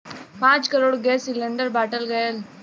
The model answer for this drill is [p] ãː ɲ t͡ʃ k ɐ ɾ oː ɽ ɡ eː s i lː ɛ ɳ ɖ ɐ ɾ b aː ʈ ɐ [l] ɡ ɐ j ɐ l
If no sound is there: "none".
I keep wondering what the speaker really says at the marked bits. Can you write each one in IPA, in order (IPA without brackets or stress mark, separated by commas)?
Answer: p, l